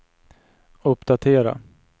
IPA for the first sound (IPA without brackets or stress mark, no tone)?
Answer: ɵ